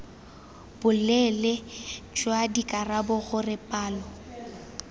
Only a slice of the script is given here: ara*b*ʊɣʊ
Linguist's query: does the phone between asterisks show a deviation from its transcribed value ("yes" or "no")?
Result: no